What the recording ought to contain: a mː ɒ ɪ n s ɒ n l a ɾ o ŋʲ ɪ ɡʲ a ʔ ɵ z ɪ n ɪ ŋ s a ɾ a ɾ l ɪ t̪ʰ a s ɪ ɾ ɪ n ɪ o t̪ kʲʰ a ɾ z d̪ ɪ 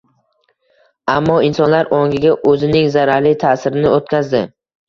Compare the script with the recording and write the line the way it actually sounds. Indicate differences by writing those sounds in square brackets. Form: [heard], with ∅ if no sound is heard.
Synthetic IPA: a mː ɒ ɪ n s ɒ n l a ɾ o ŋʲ ɪ ɡʲ a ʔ ɵ z ɪ n ɪ ŋ [z] a ɾ a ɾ l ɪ t̪ʰ a s ɪ ɾ ɪ n ɪ o t̪ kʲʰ a [∅] z d̪ ɪ